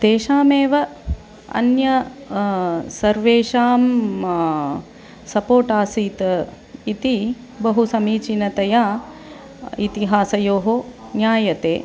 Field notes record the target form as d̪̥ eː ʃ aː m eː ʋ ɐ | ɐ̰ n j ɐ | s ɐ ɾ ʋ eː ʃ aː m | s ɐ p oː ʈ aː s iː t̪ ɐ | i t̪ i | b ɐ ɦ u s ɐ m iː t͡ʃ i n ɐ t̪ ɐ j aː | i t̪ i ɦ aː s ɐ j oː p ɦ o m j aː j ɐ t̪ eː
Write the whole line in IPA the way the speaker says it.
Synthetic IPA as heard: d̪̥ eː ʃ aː m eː ʋ ɐ | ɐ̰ n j ɐ | s ɐ ɾ ʋ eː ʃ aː m | s ɐ p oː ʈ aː s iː t̪ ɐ | i t̪ i | b ɐ ɦ u s ɐ m iː t͡ʃ i n ɐ t̪ ɐ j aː | i t̪ i ɦ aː s ɐ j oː ɦ o n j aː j ɐ t̪ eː